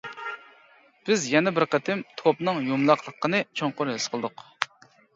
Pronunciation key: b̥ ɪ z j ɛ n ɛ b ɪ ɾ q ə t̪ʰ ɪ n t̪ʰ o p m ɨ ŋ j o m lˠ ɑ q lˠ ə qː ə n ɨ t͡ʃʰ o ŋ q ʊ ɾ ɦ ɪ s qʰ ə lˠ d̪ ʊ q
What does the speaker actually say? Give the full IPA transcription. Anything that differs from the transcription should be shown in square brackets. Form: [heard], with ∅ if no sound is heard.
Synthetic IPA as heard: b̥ ɪ z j ɛ n ɛ b ɪ ɾ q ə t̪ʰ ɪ [m] t̪ʰ o p [n] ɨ ŋ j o m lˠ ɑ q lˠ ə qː ə n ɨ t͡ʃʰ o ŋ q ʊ ɾ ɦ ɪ s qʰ ə lˠ d̪ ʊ q